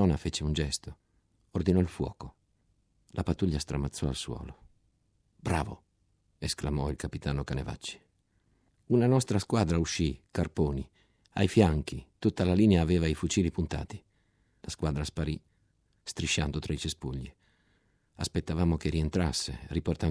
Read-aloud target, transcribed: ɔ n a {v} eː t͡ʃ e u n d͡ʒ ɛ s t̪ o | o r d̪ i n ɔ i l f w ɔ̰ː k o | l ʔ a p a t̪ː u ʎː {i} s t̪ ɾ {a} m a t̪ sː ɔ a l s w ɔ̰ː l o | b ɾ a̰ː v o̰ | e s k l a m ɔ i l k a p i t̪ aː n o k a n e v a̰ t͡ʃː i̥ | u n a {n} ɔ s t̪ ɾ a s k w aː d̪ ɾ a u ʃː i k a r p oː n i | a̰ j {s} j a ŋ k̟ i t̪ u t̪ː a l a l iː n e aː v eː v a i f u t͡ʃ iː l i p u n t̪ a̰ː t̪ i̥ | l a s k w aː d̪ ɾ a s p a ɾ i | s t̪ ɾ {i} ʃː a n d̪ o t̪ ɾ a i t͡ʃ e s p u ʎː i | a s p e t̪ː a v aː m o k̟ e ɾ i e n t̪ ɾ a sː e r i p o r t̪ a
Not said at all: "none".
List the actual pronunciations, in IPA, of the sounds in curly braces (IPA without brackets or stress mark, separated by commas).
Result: f, a, a, n, f, i